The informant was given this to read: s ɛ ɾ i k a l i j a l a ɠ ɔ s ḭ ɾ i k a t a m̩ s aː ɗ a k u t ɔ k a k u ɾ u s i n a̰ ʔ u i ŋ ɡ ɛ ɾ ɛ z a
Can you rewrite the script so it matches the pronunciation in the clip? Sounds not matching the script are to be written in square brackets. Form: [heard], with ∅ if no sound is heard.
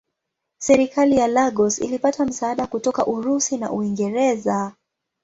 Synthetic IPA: s ɛ ɾ i k a l i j a l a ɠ ɔ s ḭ [l] i [p] a t a m̩ s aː ɗ a k u t ɔ k a [ʔ] u ɾ u s i n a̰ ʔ u i ŋ ɡ ɛ ɾ ɛ z a